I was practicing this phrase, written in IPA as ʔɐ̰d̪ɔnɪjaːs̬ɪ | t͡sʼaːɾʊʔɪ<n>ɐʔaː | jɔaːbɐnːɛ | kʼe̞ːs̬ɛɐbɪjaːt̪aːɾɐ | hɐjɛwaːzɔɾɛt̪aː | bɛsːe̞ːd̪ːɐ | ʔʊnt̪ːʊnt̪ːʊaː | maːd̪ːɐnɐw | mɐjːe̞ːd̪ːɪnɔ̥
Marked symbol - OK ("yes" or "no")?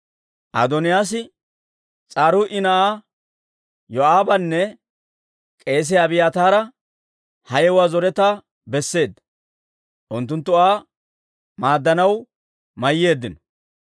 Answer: yes